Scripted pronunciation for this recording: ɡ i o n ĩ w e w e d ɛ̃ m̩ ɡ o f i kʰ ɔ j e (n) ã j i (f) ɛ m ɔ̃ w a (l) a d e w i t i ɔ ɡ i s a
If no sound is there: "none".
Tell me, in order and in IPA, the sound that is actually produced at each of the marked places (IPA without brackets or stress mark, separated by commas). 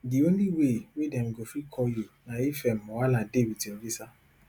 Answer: n, f, l